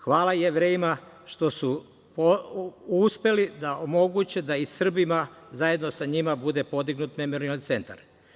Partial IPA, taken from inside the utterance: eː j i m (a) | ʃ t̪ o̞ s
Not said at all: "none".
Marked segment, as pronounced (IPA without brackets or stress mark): a